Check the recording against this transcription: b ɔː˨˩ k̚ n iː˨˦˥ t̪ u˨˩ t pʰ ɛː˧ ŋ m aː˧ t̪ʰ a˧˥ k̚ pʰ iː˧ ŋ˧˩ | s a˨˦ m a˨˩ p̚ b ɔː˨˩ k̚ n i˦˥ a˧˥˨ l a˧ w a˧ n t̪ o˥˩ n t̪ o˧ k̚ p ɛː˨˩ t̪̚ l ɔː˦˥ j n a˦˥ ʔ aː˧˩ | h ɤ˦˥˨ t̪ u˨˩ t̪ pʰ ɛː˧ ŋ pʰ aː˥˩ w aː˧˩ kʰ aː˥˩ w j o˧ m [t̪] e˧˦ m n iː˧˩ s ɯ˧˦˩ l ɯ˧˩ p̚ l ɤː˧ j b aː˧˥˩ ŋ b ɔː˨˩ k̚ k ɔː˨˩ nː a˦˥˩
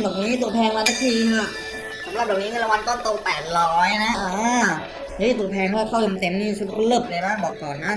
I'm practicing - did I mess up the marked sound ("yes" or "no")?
no